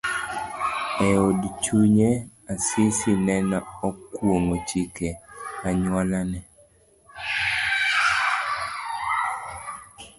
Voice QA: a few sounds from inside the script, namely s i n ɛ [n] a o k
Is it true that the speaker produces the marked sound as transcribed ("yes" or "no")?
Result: yes